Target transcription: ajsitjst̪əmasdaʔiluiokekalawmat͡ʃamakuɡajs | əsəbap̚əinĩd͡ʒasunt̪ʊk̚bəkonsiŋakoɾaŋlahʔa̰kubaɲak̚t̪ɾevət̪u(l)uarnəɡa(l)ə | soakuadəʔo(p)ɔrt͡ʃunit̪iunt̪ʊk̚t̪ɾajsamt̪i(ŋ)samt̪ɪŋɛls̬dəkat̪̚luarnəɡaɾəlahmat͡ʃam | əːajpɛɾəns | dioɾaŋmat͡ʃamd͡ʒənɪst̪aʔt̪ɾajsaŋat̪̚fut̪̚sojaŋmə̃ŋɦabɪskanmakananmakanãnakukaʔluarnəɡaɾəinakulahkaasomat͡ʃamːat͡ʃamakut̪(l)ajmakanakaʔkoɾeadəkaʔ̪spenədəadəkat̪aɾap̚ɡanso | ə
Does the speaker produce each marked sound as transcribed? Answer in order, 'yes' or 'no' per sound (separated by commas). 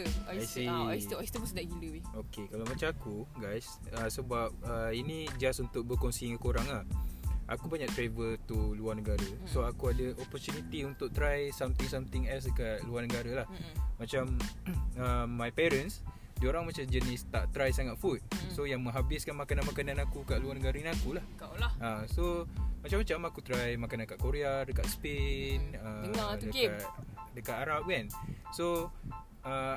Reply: yes, no, yes, yes, no